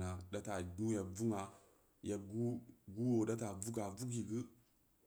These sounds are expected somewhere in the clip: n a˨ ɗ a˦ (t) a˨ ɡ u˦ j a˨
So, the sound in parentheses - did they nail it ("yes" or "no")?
yes